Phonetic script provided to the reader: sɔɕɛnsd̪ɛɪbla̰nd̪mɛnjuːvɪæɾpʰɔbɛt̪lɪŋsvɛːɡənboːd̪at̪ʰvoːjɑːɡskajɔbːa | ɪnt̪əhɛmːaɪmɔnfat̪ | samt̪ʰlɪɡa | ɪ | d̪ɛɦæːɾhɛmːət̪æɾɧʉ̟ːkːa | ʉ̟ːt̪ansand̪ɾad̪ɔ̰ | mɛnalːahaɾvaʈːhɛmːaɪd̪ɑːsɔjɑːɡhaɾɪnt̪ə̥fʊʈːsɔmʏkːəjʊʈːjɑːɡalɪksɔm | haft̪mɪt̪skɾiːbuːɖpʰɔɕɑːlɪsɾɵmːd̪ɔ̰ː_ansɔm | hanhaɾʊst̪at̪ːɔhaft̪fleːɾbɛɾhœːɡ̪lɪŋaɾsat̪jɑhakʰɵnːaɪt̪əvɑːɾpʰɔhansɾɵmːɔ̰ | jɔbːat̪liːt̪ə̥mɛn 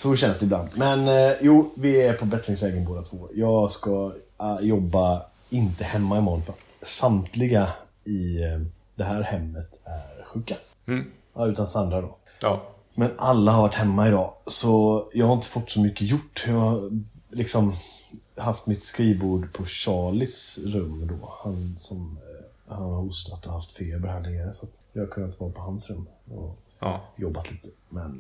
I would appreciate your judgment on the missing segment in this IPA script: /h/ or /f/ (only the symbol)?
h